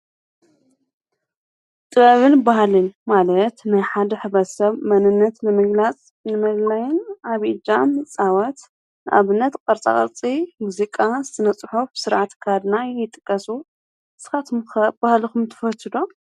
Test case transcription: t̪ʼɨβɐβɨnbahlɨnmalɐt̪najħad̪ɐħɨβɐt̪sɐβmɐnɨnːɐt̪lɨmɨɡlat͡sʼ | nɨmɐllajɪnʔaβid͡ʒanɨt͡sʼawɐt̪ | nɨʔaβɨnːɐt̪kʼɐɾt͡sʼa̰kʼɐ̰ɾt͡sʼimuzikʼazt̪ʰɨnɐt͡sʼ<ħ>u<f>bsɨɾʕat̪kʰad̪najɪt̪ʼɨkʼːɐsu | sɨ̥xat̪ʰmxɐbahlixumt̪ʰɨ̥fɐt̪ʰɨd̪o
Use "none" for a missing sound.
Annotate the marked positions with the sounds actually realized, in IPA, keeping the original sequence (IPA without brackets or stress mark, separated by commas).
ħ, f